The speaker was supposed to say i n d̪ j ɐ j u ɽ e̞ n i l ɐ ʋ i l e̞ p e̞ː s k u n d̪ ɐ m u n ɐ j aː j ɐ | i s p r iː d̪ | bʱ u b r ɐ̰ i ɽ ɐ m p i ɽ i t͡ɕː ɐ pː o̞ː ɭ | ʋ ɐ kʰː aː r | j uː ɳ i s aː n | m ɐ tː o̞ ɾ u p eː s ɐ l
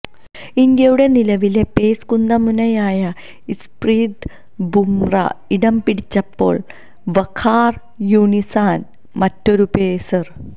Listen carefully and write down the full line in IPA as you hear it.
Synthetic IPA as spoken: i n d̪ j ɐ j u ɽ e̞ n i l ɐ ʋ i l e̞ p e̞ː s k u n d̪ ɐ m u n ɐ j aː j ɐ | i s p r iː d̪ | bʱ u m r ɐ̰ i ɽ ɐ m p i ɽ i t͡ɕː ɐ pː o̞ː ɭ | ʋ ɐ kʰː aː r | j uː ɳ i s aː n | m ɐ tː o̞ ɾ u p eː s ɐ r